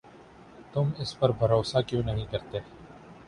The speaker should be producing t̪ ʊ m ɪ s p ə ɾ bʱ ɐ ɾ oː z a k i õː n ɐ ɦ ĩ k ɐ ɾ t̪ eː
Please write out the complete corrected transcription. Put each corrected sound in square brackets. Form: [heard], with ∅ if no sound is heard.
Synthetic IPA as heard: t̪ ʊ m ɪ s p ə ɾ bʱ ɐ ɾ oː [s] a k [j] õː n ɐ ɦ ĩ k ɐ ɾ t̪ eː